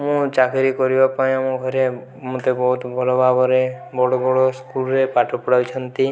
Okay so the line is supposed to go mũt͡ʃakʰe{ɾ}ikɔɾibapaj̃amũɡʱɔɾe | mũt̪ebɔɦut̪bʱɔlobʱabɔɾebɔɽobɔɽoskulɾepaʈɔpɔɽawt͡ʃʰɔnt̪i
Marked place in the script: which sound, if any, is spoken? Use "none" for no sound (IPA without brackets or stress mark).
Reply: ɾ